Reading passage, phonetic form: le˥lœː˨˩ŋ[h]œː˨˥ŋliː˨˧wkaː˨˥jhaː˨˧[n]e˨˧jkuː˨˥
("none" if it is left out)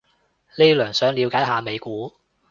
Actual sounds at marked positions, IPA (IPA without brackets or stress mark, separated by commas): s, m